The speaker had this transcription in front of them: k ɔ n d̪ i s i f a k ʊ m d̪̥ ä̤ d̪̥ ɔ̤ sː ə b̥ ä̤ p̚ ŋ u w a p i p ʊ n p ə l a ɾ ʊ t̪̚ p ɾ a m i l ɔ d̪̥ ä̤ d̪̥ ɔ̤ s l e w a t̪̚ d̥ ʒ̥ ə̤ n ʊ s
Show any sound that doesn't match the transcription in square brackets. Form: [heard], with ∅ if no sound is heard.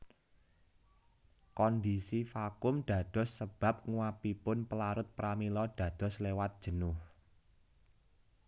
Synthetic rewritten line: k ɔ n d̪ i s i f a k ʊ m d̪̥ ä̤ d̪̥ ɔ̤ sː ə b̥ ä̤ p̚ ŋ u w a p i p ʊ n p ə l a ɾ ʊ t̪̚ p ɾ a m i l ɔ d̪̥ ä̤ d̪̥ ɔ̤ s l e w a t̪̚ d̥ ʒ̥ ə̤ n ʊ [h]